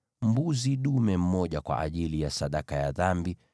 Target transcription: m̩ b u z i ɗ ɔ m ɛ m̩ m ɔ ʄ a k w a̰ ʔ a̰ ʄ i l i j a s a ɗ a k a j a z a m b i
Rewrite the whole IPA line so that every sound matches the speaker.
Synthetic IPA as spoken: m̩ b u z i ɗ u m ɛ m̩ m ɔ ʄ a k w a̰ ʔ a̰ ʄ i l i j a s a ɗ a k a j a ð a m b i

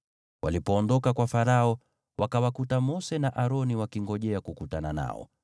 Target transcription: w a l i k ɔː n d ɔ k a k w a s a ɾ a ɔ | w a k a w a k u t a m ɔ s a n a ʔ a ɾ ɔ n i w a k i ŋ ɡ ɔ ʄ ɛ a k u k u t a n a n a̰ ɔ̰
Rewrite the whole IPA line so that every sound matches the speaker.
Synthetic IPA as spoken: w a l i p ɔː n d ɔ k a k w a f a ɾ a ɔ | w a k a w a k u t a m ɔ s ɛ n a ʔ a ɾ ɔ n i w a k i ŋ ɡ ɔ ʄ ɛ a k u k u t a n a n a̰ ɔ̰

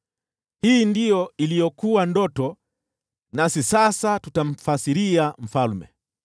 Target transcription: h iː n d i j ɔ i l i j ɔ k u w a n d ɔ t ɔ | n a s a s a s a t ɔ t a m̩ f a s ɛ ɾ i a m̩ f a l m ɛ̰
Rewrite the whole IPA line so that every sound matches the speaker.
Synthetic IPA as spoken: h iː n d i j ɔ i l i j ɔ k u w a n d ɔ t ɔ | n a s i s a s a t u t a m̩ f a s i ɾ i a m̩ f a l m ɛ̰

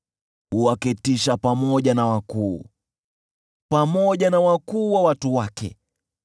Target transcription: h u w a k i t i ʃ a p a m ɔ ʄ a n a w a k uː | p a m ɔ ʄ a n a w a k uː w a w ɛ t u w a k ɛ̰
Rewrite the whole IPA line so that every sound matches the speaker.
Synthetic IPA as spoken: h u w a k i t i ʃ a p a m ɔ ʄ a n a w a k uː | p a m ɔ ʄ a n a w a k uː w a w a t u w a k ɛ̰

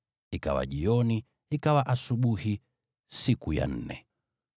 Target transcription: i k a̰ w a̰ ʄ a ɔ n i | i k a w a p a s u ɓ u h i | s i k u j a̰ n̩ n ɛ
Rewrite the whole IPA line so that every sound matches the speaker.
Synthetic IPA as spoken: i k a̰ w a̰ ʄ i ɔ n i | i k a w a ʔ a s u ɓ u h i | s i k u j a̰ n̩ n ɛ

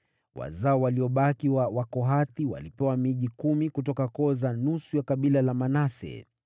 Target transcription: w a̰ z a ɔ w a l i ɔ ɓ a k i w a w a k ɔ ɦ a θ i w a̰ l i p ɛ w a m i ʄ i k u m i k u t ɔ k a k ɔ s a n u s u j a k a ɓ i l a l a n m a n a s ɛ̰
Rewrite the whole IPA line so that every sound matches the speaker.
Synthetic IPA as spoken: w a̰ z a ɔ w a l i ɔ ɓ a k i w a w a k ɔ ɦ a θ i w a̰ l i p ɛ w a m i ʄ i k u m i k u t ɔ k a k ɔ z a n u s u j a k a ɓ i l a l a m a n a s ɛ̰

